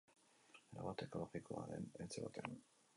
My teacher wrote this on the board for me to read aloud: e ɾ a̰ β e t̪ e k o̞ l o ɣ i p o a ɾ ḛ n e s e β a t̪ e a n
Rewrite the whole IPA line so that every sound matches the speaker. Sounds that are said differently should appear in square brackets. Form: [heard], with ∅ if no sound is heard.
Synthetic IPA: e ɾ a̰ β [a] t̪ e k o̞ l o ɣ i [k] o a ɾ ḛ n e [t͡s] e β a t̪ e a n